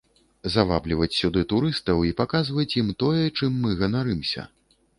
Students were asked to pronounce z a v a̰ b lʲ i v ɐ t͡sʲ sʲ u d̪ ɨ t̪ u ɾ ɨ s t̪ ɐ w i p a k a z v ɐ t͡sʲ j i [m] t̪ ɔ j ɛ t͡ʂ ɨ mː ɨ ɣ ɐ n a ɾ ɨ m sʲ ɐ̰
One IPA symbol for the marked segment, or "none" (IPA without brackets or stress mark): m